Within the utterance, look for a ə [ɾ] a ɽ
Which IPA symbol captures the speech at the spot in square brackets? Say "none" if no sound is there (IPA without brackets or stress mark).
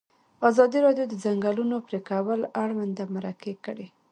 l